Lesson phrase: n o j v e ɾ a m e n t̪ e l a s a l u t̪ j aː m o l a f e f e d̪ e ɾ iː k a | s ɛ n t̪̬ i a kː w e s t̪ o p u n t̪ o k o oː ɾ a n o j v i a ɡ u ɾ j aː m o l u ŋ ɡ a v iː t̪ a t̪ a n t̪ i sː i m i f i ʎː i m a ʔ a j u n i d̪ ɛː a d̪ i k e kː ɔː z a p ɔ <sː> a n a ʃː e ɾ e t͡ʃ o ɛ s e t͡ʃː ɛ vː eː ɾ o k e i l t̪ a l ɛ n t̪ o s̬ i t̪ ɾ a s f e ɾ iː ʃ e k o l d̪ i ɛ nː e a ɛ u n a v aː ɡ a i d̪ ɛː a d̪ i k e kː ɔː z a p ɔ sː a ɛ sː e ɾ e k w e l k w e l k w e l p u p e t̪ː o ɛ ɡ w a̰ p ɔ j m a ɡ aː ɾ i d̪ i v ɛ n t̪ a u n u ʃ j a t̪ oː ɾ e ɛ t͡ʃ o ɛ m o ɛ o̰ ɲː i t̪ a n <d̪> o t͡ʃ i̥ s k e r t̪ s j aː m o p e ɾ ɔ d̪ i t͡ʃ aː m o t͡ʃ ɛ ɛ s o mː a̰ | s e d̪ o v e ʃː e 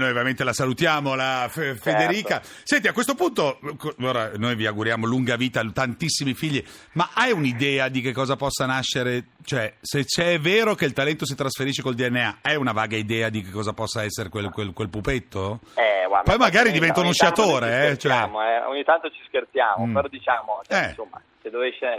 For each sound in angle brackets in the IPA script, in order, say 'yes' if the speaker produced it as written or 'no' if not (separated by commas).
yes, no